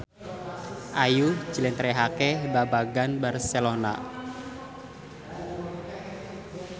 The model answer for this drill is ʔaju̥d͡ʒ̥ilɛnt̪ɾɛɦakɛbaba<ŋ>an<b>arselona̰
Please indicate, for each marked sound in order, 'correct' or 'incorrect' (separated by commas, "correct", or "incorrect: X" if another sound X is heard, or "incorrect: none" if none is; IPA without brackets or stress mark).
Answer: incorrect: ɡ, correct